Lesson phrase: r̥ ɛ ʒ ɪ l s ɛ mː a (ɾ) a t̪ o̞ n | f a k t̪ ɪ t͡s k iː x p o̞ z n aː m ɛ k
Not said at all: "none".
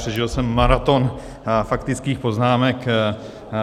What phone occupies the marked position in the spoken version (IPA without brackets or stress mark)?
ɾ